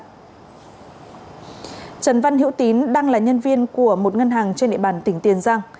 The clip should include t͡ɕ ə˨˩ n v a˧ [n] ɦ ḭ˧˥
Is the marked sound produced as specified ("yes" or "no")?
yes